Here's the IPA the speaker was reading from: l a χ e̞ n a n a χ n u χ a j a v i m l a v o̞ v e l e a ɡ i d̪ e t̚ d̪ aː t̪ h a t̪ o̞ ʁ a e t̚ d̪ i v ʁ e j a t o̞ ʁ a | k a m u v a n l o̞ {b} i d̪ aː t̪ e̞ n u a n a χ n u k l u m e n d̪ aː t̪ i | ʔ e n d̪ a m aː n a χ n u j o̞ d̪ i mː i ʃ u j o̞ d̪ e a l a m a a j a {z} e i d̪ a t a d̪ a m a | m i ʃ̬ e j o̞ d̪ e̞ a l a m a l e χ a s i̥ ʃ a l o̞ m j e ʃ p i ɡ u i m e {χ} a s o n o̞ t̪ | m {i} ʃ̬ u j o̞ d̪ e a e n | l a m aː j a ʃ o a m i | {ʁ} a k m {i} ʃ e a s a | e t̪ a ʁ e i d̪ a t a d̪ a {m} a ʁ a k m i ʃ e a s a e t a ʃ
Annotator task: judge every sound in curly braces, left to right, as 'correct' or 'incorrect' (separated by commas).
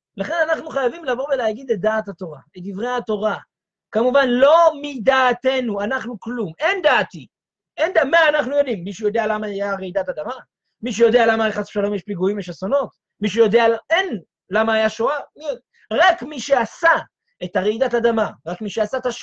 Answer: incorrect, incorrect, incorrect, correct, correct, correct, correct